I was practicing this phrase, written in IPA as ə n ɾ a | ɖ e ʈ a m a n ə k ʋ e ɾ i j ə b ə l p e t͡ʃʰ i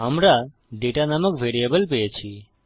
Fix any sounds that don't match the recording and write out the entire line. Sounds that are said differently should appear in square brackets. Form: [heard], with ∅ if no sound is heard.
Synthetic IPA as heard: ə [m] ɾ a | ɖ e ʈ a [n] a [m] ə k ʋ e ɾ i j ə b ə l p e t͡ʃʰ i